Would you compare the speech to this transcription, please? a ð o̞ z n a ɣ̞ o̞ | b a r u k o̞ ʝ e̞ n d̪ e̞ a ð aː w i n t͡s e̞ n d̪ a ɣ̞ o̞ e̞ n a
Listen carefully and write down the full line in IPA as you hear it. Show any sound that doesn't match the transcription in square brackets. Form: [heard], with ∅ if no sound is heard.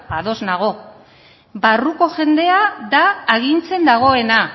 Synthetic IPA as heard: a ð o̞ z n a ɣ̞ o̞ | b a r u k o̞ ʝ e̞ n d̪ e̞ a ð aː [ɣ] i n t͡s e̞ n d̪ a ɣ̞ o̞ e̞ n a